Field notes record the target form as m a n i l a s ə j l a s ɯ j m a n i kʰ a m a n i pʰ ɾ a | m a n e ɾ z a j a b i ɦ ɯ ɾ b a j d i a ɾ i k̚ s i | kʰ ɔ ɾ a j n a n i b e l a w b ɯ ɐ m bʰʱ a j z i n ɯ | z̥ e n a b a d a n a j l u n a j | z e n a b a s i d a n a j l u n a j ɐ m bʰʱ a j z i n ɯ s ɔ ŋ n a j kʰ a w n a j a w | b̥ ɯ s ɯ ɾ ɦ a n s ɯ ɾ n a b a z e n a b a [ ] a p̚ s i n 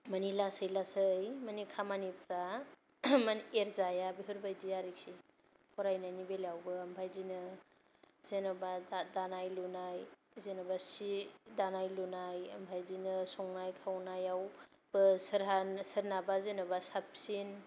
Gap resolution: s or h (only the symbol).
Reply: s